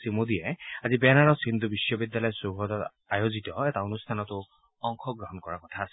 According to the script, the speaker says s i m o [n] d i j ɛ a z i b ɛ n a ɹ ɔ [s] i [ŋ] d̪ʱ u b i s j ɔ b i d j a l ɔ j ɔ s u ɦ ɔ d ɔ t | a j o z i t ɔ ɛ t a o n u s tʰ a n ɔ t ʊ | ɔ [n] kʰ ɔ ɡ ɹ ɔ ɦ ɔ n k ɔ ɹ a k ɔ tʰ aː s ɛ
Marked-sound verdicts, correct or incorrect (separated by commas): incorrect, correct, incorrect, incorrect